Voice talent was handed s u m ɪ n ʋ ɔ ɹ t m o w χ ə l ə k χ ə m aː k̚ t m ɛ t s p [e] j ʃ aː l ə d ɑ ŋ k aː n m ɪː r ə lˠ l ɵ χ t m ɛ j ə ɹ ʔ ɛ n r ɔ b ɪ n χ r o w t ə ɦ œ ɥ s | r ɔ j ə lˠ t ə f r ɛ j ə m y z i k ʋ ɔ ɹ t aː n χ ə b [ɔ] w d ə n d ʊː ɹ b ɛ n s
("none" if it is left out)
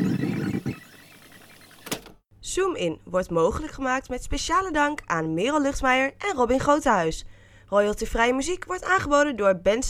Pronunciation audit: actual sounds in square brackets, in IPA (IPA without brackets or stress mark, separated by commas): e, o